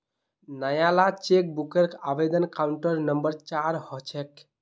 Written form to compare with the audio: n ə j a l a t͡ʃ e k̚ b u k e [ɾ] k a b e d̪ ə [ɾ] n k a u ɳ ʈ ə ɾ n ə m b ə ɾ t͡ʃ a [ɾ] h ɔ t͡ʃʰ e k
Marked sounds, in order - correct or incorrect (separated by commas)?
correct, incorrect, correct